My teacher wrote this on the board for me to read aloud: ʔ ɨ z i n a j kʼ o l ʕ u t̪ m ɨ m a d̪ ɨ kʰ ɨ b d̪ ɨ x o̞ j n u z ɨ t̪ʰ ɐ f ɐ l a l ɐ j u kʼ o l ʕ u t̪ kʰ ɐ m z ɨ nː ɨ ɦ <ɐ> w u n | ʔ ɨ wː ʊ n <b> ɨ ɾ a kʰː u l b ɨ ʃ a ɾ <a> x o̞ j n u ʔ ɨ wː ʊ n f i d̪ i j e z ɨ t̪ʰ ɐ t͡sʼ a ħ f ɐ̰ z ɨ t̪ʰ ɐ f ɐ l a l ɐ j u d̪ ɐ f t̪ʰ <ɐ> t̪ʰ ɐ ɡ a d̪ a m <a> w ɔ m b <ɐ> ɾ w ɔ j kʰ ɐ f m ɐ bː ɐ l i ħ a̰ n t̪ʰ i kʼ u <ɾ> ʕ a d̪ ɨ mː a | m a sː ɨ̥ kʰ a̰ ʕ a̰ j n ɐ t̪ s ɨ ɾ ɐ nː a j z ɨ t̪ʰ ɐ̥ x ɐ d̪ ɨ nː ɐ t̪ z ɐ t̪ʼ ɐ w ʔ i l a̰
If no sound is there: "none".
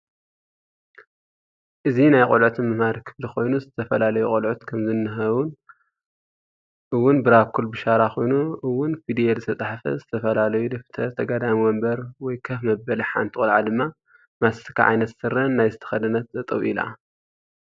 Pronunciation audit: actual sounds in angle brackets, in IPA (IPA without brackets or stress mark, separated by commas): ɐ, b, a, ɐ, i, ɐ, l